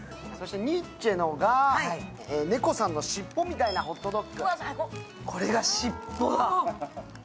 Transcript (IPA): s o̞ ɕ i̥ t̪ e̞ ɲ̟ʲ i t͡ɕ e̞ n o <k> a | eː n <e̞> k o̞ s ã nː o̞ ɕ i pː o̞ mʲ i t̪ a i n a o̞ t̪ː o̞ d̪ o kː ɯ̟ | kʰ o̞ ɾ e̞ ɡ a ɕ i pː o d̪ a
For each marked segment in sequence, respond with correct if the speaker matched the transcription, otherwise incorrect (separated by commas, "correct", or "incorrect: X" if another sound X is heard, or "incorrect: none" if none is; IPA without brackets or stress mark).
incorrect: ɡ, correct